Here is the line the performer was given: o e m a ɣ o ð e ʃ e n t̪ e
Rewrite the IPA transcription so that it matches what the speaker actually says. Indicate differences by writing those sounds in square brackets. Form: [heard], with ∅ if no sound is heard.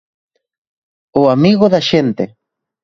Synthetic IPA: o [a] m [i] ɣ o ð [a] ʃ e n t̪ e